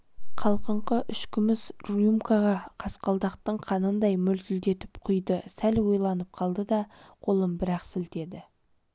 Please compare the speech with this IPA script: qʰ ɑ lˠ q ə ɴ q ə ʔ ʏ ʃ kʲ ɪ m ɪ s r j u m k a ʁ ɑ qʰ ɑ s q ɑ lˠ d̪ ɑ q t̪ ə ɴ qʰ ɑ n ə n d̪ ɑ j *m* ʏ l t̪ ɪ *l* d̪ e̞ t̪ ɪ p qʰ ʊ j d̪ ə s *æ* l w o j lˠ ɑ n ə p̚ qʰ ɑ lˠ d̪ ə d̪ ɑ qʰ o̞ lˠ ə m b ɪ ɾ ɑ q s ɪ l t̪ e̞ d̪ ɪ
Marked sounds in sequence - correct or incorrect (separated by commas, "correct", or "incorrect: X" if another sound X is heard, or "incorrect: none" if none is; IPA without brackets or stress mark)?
correct, correct, correct